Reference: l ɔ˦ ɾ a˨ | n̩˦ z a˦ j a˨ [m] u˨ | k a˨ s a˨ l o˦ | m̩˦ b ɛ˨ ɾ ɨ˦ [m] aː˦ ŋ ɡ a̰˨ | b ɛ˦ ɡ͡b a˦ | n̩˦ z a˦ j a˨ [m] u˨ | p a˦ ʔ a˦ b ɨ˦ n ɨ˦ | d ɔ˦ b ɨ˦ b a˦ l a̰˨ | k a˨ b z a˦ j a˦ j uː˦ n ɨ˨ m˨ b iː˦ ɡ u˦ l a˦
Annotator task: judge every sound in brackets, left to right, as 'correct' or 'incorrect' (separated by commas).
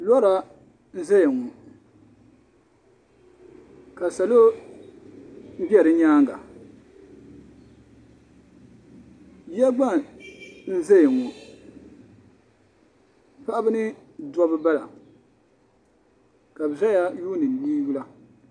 incorrect, incorrect, incorrect